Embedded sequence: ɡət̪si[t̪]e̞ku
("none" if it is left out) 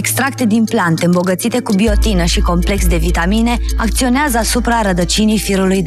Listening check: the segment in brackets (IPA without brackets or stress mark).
t̪